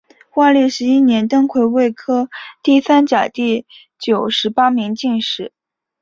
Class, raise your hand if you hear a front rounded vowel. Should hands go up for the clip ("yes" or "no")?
no